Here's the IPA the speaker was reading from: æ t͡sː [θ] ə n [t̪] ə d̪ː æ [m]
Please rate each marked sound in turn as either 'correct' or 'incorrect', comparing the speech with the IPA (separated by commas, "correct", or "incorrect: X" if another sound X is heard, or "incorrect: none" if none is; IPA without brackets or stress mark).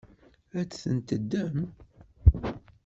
correct, correct, correct